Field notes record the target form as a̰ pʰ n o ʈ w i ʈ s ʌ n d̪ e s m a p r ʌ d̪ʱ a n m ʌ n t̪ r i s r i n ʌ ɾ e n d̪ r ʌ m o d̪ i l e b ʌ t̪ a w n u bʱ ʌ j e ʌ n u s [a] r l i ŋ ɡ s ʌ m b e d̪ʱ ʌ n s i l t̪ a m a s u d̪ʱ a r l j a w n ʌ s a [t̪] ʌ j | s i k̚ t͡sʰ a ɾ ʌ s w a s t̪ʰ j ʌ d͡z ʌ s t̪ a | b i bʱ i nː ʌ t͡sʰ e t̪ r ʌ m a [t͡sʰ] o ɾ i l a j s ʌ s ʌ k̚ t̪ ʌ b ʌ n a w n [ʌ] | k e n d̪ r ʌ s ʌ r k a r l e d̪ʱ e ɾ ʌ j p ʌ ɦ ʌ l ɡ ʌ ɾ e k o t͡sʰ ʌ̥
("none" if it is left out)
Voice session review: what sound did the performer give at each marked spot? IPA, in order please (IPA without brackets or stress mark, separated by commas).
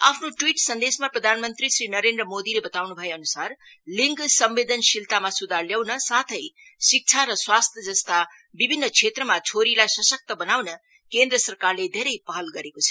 a, t̪ʰ, t͡sʰ, ʌ